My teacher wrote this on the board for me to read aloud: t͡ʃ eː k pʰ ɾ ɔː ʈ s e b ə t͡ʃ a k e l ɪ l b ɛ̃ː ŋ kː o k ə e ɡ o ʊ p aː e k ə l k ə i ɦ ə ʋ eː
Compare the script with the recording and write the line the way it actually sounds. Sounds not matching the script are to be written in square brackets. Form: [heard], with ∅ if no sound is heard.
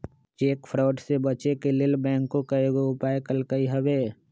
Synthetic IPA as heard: t͡ʃ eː k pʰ ɾ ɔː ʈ s e b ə t͡ʃ [e] k e l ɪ l b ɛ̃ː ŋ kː o k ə e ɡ o ʊ p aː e k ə l k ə i ɦ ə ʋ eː